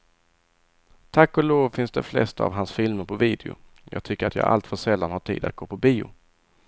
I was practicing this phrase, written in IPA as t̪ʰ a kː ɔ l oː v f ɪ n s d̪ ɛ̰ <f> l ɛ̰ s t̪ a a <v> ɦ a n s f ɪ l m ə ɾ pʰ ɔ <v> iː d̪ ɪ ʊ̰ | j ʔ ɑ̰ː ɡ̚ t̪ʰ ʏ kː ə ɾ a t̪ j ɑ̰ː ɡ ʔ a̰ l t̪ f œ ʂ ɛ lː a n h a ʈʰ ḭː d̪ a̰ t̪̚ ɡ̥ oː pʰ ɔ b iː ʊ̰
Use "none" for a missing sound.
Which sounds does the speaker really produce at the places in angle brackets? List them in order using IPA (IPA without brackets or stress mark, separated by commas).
f, v, v